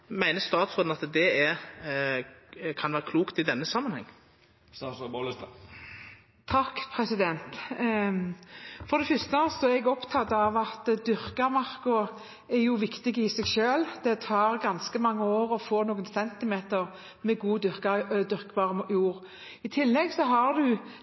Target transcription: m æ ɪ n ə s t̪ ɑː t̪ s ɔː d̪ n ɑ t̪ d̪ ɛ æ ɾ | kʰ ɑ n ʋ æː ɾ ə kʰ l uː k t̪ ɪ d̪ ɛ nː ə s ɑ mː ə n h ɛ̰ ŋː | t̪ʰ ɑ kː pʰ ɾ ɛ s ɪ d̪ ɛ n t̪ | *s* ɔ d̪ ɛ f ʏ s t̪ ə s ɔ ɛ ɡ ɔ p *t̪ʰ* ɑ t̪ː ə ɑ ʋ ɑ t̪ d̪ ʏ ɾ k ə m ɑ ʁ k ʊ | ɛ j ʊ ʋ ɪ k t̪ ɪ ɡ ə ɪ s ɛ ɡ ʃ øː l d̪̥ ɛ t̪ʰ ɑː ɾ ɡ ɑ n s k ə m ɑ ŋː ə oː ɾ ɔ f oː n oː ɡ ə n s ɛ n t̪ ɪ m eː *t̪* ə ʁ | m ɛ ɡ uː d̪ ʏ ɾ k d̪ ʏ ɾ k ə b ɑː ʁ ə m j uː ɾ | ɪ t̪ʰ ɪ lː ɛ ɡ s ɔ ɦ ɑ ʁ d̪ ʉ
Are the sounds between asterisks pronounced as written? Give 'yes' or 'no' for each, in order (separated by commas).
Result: no, yes, yes